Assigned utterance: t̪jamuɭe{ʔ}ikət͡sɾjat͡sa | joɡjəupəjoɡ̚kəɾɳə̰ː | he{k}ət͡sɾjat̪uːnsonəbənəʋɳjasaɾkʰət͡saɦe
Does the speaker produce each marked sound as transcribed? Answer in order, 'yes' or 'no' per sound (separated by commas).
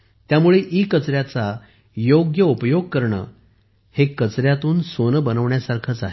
yes, yes